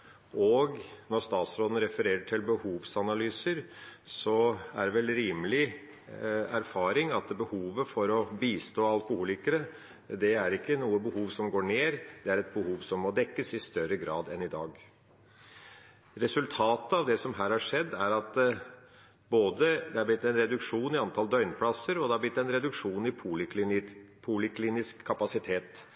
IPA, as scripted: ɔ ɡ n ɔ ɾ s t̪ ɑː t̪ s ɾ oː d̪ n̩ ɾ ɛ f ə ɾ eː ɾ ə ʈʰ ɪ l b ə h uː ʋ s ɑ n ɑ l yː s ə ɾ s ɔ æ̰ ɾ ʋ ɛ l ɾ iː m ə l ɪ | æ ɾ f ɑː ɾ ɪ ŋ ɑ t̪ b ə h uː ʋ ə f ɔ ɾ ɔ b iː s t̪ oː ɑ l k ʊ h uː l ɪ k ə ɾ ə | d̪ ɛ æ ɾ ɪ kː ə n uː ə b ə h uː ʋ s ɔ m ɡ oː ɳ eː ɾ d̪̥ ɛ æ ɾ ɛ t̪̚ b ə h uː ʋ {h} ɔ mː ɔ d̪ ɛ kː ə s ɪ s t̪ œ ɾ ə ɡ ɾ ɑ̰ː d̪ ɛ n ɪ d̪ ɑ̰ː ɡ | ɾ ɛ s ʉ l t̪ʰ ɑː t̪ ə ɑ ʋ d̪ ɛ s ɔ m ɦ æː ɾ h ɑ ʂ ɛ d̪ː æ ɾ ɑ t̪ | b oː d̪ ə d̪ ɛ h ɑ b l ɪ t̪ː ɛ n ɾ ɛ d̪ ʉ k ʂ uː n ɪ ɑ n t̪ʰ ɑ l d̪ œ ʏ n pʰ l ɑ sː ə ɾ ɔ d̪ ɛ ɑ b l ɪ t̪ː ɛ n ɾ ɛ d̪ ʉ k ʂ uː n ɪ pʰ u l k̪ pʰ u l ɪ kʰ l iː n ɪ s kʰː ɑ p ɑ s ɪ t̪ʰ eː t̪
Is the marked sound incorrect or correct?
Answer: incorrect: s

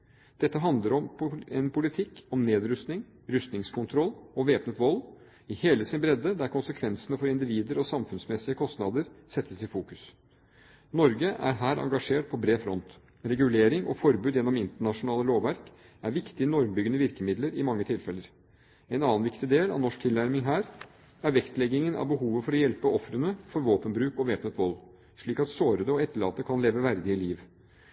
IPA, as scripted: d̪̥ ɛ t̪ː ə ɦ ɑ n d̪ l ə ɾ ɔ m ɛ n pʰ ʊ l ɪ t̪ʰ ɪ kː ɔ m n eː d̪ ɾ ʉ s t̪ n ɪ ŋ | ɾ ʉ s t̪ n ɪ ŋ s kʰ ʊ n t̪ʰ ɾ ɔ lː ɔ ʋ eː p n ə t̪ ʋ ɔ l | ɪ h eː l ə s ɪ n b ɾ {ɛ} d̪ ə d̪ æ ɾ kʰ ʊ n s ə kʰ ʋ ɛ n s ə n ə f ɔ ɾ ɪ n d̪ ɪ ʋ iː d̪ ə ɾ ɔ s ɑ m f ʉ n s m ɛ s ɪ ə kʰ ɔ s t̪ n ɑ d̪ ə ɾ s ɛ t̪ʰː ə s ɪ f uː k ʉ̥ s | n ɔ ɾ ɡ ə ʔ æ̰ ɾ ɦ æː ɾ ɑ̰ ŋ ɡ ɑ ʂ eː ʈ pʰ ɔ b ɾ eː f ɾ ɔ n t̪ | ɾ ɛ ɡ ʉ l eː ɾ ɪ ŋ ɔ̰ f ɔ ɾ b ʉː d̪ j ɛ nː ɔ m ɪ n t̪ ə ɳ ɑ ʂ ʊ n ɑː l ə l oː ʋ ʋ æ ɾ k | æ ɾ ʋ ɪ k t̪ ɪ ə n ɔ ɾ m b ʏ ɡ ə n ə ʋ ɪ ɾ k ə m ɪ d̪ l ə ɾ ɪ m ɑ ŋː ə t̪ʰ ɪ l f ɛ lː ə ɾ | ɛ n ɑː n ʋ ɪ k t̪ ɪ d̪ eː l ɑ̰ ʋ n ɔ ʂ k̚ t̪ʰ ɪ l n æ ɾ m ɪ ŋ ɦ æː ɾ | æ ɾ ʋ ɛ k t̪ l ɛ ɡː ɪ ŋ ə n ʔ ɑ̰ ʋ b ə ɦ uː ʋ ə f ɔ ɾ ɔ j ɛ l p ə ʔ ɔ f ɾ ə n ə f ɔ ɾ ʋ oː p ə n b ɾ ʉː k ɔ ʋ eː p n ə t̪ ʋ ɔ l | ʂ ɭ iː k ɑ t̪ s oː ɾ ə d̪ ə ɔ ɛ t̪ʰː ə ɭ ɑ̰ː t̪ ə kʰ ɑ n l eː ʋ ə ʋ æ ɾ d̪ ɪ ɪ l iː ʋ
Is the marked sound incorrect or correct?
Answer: correct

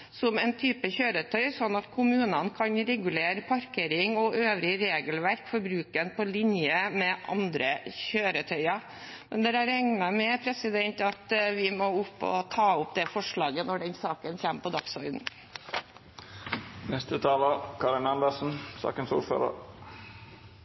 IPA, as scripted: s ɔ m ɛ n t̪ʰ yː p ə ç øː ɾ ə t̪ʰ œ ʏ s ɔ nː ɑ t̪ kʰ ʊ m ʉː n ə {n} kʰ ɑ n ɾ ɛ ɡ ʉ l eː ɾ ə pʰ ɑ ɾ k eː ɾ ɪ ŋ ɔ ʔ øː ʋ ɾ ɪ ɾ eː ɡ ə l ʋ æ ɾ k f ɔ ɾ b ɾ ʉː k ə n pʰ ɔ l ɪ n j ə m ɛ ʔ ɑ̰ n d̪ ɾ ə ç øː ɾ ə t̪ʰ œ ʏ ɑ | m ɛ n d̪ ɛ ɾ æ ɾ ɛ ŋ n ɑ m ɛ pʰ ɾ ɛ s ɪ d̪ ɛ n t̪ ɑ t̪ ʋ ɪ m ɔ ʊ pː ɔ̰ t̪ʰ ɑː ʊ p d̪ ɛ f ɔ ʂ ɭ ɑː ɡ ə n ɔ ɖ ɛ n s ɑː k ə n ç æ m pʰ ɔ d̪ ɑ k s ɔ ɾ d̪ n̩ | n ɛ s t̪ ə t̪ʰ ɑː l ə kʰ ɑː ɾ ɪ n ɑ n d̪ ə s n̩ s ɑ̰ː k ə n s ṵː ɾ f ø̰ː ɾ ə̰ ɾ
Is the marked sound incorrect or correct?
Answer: correct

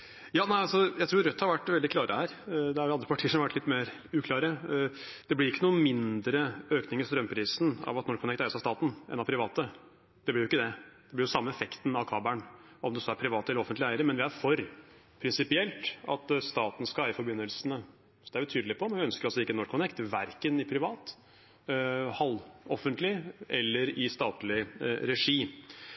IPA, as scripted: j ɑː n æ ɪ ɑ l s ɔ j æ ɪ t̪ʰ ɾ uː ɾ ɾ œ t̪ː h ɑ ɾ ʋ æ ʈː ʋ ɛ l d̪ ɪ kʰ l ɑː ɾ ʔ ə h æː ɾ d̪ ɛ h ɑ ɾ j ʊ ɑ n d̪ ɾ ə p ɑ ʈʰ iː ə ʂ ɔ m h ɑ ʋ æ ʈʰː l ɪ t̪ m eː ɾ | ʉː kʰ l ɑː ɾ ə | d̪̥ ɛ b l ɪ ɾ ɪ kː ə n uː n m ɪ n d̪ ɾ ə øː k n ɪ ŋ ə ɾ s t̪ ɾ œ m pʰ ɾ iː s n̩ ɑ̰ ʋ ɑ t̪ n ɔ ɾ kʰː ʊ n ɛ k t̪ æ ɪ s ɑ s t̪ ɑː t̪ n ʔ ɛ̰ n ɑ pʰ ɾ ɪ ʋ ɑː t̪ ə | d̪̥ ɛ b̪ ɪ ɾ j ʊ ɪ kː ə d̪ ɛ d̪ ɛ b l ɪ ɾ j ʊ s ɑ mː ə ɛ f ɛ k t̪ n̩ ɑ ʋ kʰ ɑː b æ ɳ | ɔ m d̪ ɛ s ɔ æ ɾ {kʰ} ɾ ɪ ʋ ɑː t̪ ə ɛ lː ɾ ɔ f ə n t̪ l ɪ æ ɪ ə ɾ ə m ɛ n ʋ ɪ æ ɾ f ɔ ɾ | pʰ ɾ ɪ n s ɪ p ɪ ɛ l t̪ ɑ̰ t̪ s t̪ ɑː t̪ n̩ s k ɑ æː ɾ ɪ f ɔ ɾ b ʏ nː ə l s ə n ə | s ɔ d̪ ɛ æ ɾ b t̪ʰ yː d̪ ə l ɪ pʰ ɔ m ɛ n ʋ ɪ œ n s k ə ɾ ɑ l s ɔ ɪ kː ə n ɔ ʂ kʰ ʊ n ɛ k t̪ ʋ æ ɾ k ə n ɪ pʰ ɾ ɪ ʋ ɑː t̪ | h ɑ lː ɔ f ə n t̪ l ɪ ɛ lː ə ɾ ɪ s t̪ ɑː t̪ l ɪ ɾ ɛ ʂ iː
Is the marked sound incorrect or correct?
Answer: incorrect: pʰ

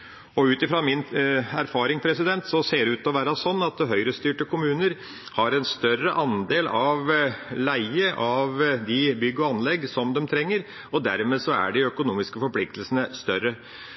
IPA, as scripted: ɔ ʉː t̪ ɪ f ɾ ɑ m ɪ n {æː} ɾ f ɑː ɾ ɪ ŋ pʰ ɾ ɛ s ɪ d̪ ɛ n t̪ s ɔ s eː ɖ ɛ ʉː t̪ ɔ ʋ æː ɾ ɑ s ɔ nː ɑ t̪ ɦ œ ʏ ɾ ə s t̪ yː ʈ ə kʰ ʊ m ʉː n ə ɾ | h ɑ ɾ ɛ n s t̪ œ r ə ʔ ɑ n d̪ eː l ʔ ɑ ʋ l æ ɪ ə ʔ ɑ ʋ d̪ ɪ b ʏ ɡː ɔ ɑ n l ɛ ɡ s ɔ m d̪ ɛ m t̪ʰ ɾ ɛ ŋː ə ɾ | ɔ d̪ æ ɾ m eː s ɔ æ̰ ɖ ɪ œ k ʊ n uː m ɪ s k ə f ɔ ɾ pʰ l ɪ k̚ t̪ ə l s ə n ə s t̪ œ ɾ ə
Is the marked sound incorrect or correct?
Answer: incorrect: æ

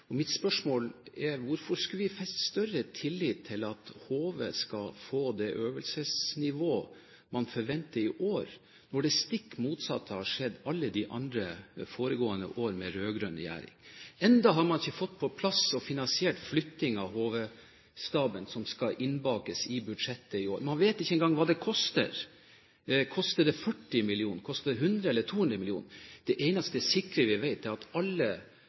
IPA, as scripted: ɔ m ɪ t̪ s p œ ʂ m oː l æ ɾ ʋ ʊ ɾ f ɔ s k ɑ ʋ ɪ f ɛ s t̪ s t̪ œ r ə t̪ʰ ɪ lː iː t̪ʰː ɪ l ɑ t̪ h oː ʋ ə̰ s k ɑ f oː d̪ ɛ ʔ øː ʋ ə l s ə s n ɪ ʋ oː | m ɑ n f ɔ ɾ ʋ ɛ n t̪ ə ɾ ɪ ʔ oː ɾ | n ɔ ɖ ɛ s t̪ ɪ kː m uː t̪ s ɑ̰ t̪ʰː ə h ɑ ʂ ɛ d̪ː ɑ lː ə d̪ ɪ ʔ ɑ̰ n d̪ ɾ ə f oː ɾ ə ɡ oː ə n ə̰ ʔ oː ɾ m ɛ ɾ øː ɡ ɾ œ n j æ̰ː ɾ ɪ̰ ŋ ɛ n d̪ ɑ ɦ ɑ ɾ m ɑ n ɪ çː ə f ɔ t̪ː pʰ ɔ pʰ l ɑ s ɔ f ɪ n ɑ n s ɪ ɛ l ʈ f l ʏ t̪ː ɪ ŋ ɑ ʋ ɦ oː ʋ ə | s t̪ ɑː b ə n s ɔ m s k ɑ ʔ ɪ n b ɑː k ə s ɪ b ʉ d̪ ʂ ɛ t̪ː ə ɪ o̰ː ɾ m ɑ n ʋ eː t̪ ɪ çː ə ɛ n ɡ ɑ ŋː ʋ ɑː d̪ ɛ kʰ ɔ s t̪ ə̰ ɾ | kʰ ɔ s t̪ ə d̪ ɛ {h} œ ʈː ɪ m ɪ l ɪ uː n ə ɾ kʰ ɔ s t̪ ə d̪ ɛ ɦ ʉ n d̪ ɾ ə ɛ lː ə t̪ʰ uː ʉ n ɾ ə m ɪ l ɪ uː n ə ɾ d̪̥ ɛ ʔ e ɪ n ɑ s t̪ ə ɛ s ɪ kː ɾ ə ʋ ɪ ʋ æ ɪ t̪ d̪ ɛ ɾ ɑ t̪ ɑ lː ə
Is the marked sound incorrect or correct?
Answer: incorrect: f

